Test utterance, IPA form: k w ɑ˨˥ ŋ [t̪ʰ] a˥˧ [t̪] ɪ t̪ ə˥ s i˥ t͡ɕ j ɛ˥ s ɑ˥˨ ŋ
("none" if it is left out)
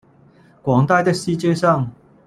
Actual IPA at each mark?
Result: t̪, none

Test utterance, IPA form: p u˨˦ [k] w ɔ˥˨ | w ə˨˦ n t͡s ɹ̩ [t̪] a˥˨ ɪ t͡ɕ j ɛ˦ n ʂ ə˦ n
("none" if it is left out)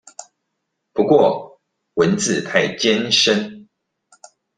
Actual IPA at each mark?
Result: k, t̪ʰ

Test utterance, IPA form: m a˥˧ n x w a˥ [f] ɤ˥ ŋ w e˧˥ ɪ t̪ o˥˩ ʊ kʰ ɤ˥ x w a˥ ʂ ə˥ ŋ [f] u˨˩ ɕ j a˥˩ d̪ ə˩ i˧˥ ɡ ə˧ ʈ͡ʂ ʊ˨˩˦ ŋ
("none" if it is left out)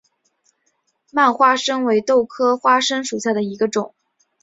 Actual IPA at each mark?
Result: ʂ, ʂ

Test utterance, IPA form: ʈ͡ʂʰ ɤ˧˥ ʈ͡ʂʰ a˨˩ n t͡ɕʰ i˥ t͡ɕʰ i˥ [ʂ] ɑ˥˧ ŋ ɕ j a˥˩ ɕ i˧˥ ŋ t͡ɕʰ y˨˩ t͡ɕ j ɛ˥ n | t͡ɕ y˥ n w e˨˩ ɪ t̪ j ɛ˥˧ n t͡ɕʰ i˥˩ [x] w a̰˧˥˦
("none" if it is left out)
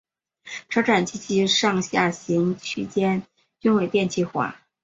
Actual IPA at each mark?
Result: ʂ, x

